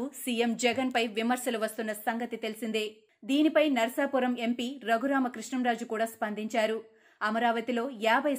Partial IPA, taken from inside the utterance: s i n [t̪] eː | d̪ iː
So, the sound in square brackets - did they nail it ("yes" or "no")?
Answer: no